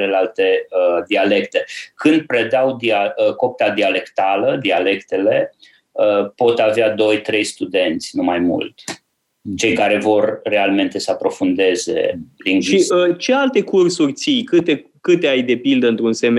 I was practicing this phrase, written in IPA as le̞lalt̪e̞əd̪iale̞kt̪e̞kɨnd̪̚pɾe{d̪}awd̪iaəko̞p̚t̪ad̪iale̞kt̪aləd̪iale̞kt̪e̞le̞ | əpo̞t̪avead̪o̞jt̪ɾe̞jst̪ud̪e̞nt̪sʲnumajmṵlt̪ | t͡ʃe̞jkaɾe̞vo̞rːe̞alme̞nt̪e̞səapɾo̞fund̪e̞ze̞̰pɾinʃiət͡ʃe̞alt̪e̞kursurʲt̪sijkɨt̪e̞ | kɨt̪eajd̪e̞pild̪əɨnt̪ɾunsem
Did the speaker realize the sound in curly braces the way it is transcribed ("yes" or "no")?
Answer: yes